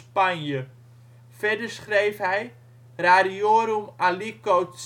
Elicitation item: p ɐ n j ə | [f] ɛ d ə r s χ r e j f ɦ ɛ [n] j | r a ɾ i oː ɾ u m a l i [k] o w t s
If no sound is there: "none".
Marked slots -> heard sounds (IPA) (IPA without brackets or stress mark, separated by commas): f, none, k